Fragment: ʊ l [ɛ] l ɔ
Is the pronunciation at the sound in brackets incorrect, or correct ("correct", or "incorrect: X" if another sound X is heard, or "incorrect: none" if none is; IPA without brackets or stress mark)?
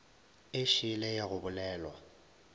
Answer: incorrect: ɛː